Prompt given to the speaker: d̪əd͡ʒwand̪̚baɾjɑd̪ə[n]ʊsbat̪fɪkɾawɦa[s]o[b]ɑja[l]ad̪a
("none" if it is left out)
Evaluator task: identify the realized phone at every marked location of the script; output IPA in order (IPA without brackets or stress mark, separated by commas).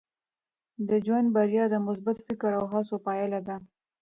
m, s, p, l